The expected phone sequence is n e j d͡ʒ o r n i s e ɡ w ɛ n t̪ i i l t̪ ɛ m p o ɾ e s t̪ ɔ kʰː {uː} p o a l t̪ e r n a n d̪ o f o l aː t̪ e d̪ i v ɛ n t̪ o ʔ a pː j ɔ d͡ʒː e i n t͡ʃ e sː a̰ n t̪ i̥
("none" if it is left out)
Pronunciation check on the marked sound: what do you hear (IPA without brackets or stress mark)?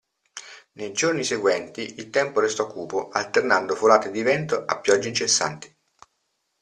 uː